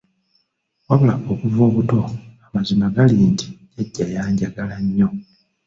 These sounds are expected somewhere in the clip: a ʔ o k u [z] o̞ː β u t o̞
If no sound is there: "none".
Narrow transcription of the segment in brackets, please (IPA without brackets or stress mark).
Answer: v